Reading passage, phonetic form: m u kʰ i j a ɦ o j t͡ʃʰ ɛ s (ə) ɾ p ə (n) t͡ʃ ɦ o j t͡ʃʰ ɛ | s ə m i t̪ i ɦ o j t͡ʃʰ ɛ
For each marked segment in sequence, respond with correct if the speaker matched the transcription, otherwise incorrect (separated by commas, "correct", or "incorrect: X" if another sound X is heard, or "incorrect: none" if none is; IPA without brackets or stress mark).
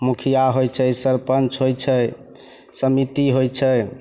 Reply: correct, correct